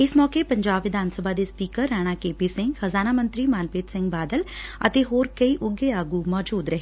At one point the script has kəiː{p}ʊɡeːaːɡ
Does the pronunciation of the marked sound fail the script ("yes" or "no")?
yes